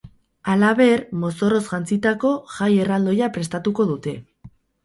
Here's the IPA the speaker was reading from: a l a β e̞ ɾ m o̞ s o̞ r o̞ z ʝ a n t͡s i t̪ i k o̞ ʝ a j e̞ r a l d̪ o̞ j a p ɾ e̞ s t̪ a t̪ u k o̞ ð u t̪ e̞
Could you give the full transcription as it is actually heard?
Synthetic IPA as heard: a l a β e̞ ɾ m o̞ s o̞ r o̞ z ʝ a n t͡s i t̪ a k o̞ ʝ a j e̞ r a l d̪ o̞ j a p ɾ e̞ s t̪ a t̪ u k o̞ ð u t̪ e̞